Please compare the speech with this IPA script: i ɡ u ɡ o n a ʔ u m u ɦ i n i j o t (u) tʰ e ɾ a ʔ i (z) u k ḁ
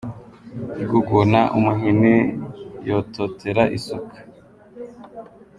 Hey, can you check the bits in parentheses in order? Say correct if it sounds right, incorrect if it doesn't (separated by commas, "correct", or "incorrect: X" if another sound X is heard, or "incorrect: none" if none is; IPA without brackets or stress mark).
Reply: incorrect: o, incorrect: s